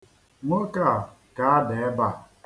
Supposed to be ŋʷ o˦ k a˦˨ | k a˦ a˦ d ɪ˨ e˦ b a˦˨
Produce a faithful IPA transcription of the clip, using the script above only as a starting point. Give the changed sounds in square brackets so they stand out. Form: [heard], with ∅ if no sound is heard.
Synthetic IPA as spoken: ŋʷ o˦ k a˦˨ | k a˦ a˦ d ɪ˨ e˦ b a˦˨